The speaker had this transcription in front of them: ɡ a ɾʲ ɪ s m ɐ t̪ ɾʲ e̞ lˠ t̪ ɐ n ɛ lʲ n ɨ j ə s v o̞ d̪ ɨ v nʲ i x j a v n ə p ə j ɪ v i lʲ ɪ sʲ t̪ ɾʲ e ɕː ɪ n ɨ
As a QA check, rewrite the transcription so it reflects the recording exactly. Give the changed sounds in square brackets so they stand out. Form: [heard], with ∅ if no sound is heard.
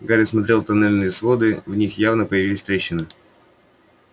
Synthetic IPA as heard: ɡ a ɾʲ ɪ s m ɐ t̪ ɾʲ e̞ lˠ t̪ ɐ n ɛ lʲ n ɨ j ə s v o̞ d̪ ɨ v nʲ i x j a v n ə p ə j ɪ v i lʲ ɪ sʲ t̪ ɾʲ e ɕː ɪ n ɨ